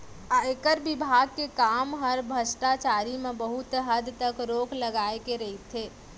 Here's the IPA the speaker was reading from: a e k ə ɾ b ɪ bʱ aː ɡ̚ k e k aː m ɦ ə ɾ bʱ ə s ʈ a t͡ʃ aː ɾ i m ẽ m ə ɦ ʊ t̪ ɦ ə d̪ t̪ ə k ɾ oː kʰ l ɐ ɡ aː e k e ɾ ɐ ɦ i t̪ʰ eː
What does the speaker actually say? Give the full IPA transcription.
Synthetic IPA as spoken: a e k ə ɾ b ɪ bʱ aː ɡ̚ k e k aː m ɦ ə ɾ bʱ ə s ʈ a t͡ʃ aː ɾ i m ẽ b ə ɦ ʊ t̪ ɦ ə d̪ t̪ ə k ɾ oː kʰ l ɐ ɡ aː e k e ɾ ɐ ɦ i t̪ʰ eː